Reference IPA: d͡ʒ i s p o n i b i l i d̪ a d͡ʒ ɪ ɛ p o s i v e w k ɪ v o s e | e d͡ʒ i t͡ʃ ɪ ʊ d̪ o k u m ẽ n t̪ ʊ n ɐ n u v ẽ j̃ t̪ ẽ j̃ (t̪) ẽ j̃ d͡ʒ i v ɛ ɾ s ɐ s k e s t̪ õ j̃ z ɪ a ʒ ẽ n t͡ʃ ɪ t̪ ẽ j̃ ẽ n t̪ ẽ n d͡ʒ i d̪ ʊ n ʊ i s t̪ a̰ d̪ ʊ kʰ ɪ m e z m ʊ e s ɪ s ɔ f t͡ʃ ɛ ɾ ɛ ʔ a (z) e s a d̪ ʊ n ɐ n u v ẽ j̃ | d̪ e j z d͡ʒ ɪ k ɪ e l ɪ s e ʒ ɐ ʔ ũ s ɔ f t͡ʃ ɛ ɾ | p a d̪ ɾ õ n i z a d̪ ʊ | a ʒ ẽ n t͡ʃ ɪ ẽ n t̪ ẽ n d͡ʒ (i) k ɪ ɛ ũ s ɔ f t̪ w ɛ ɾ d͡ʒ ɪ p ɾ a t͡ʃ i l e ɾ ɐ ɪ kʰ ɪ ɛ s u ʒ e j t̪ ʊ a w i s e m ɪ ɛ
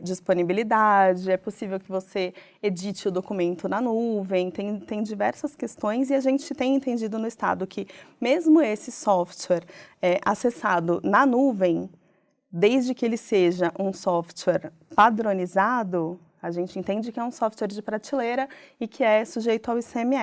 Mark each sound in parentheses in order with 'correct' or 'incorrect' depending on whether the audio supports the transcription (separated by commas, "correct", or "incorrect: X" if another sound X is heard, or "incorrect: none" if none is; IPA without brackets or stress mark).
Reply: correct, incorrect: s, incorrect: ɪ